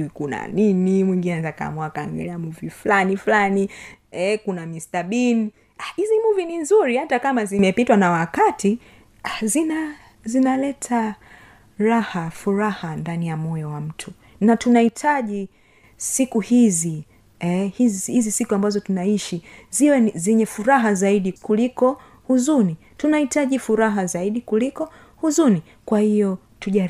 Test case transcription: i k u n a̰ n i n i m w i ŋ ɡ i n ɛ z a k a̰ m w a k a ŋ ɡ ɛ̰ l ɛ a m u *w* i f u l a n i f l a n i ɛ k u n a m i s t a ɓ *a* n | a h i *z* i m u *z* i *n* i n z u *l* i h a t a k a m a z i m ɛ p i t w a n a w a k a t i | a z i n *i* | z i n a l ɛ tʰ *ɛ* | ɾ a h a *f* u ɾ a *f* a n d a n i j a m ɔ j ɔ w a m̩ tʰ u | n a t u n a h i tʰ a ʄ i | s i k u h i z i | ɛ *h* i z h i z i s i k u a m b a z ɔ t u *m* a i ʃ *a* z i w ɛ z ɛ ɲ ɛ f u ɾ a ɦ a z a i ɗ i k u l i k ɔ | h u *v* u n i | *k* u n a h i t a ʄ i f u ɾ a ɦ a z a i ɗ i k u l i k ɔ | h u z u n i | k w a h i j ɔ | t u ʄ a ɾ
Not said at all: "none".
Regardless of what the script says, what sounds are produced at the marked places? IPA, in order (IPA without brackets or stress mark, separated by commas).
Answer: v, i, z, v, n, ɾ, a, a, f, h, h, n, i, z, t